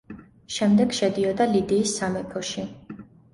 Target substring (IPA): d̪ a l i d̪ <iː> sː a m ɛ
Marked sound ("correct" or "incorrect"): correct